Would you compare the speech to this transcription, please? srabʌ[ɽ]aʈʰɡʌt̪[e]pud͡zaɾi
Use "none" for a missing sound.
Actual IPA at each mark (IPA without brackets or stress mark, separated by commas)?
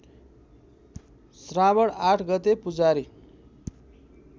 ɽ, e